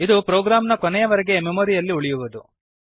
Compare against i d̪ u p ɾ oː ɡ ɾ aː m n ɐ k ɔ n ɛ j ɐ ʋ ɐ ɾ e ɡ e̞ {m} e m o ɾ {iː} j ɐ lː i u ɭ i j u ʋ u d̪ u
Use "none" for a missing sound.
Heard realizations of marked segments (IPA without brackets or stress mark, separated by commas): m, i